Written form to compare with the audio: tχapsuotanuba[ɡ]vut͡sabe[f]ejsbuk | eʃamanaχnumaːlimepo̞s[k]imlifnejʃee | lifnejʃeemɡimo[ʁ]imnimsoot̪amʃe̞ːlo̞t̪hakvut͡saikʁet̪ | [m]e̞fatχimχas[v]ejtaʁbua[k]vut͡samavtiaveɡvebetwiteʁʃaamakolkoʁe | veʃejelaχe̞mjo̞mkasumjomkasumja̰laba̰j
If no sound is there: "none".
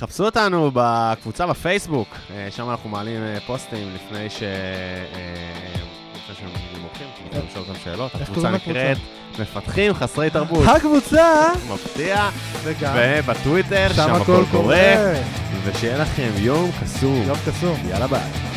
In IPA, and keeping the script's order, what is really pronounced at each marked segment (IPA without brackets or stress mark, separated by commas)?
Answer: k, f, t, χ, m, ʁ, k